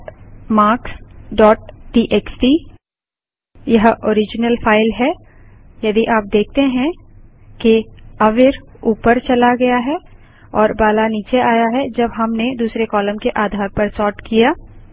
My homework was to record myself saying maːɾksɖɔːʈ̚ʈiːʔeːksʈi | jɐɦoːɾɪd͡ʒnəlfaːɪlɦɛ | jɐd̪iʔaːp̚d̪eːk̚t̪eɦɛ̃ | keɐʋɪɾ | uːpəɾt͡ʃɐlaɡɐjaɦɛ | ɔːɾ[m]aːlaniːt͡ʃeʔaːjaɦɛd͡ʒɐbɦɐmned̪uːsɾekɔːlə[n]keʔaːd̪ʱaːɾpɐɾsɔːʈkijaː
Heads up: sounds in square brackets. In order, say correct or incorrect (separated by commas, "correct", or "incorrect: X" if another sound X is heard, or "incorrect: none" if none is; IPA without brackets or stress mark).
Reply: incorrect: b, incorrect: m